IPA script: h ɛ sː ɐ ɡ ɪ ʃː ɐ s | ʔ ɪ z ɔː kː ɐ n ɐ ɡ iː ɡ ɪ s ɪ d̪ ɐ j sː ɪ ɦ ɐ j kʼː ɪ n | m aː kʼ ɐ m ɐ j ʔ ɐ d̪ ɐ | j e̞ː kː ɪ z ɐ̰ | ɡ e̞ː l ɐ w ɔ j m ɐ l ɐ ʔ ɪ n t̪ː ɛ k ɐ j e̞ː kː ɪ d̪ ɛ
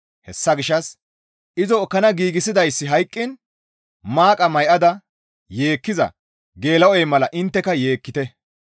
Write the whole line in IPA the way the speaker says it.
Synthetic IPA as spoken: h ɛ sː ɐ ɡ ɪ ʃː ɐ s | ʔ ɪ z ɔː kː ɐ n ɐ ɡ iː ɡ ɪ s ɪ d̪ ɐ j sː ɪ ɦ ɐ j kʼː ɪ n | m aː kʼ ɐ m ɐ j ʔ ɐ d̪ ɐ | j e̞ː kː ɪ z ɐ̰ | ɡ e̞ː l ɐ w ɔ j m ɐ l ɐ ʔ ɪ n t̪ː ɛ k ɐ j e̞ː kː ɪ t̪ ɛ